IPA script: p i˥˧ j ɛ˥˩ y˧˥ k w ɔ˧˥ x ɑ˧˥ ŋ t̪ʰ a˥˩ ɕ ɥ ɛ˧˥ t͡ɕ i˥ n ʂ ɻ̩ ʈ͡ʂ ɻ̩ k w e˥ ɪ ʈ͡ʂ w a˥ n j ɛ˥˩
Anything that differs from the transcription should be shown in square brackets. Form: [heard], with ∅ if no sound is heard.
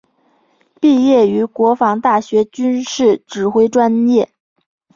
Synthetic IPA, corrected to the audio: p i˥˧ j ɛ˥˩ y˧˥ k w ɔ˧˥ [f] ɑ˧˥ ŋ [t̪] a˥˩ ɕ ɥ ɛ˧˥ t͡ɕ [y˥] n ʂ ɻ̩ ʈ͡ʂ ɻ̩ [x] w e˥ ɪ ʈ͡ʂ w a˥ n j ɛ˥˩